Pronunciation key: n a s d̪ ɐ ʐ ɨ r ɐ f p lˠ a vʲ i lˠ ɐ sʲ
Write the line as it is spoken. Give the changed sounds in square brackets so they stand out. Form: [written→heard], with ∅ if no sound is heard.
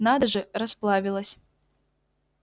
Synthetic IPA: n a [s→∅] d̪ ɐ ʐ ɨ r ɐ [f→s] p lˠ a vʲ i lˠ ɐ sʲ